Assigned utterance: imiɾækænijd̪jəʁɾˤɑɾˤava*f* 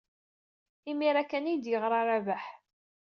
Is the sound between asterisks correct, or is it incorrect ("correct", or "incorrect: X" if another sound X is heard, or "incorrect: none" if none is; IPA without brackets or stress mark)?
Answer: incorrect: ħ